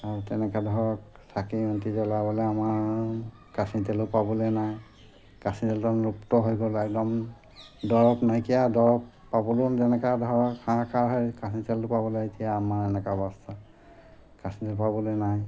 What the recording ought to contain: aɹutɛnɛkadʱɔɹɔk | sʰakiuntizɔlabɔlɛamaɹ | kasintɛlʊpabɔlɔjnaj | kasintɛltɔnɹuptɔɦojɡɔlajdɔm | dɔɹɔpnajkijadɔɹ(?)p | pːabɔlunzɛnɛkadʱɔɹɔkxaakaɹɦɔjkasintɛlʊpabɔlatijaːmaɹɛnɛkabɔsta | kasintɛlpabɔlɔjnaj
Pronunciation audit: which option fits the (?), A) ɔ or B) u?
A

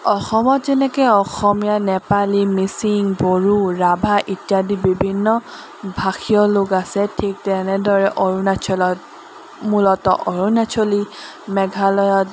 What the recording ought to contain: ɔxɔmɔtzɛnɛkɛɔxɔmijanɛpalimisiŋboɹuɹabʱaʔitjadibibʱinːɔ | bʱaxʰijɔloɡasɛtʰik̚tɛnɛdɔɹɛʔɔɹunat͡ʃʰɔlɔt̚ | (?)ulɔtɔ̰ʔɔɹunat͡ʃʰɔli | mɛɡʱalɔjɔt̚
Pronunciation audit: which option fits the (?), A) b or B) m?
B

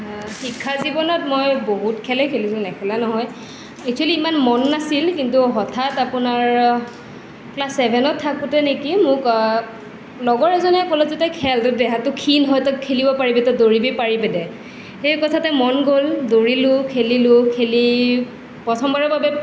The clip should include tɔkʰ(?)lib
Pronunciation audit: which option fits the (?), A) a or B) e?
B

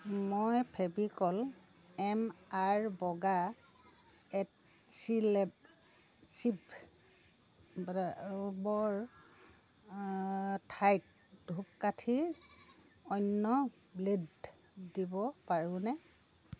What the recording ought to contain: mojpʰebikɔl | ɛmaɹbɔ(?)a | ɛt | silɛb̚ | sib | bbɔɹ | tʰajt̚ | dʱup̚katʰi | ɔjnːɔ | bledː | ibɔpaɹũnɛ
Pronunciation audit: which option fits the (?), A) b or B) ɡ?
B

